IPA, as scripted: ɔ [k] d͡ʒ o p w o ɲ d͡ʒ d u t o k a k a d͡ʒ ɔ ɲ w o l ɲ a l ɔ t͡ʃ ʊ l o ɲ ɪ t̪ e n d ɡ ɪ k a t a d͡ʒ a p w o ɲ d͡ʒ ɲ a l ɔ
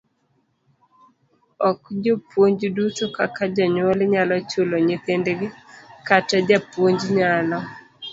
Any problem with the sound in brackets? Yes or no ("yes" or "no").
no